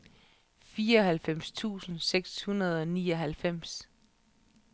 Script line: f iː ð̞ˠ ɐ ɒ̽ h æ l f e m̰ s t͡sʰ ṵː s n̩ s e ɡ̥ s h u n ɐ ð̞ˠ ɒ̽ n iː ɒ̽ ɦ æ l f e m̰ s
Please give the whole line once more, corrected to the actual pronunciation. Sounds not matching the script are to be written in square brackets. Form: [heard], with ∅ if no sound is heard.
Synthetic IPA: f iː [∅] ɐ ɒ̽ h æ l f e m̰ s t͡sʰ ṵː s n̩ s e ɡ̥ s h u n ɐ ð̞ˠ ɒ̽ n iː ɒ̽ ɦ æ l f e m̰ s